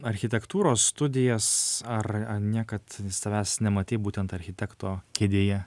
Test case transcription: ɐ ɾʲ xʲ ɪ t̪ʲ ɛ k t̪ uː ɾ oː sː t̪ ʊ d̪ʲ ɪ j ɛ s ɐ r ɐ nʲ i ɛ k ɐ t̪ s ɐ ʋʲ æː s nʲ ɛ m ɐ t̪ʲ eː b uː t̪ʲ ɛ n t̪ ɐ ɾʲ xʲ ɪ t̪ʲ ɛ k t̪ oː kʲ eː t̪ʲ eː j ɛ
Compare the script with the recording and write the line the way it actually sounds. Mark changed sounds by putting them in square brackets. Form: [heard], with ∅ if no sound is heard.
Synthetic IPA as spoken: ɐ ɾʲ xʲ ɪ t̪ʲ ɛ k t̪ uː ɾ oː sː t̪ ʊ d̪ʲ ɪ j ɛ s ɐ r ɐ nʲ i ɛ k ɐ t̪ s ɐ ʋʲ æː s nʲ ɛ m ɐ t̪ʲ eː b uː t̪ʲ ɛ n t̪ ɐ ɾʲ xʲ ɪ t̪ʲ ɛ k t̪ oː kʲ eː [d̪ʲ] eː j ɛ